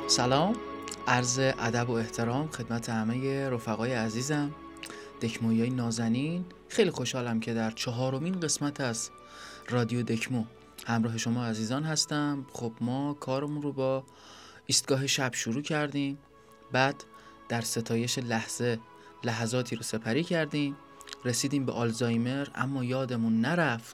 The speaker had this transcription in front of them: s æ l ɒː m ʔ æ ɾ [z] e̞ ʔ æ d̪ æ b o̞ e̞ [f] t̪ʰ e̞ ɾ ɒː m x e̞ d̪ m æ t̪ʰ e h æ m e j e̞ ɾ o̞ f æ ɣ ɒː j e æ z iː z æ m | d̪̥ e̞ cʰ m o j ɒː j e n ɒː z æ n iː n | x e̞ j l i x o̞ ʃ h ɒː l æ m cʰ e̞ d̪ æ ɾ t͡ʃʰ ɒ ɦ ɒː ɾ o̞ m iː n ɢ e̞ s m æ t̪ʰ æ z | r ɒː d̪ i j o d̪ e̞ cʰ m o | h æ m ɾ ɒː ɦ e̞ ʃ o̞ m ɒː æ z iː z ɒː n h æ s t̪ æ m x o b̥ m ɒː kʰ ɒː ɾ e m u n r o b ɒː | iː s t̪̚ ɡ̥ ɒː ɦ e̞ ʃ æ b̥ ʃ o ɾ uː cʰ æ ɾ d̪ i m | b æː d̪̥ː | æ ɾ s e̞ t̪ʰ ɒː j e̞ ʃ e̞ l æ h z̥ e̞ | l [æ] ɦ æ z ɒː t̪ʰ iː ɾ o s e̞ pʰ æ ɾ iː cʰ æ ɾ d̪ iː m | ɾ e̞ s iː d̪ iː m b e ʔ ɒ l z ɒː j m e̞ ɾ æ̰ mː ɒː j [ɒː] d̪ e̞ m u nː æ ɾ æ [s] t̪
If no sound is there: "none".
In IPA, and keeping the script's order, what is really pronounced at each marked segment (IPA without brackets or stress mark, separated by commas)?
z, h, æ, ɒː, f